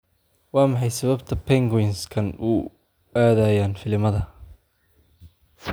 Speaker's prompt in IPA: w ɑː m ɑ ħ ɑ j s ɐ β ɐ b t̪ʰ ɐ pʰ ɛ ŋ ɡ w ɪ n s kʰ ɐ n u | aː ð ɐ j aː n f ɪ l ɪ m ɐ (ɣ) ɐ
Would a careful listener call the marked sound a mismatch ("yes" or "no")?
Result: yes